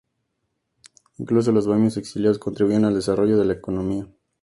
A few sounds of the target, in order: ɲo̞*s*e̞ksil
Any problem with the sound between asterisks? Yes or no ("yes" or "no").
no